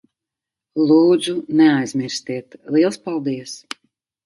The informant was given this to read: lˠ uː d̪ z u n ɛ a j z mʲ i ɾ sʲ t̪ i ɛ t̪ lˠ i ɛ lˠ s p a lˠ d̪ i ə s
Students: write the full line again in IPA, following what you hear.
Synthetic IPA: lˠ uː d̪ z u n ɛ a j z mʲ i ɾ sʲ t̪ i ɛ t̪ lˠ i ɛ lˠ s p a lˠ d̪ i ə s